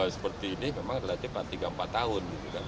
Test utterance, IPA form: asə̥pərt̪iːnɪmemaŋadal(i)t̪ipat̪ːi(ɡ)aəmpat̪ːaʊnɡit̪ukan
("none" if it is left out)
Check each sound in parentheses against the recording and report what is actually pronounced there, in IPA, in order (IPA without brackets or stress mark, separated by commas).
a, ɡ